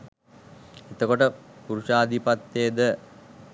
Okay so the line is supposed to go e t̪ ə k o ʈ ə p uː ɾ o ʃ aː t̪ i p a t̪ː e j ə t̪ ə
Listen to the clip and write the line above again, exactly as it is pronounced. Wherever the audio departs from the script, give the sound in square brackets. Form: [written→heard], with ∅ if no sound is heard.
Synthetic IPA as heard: e t̪ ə k o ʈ ə p [uː→u] ɾ [o→u] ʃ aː [t̪→d̪] i p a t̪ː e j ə [t̪→d̪] ə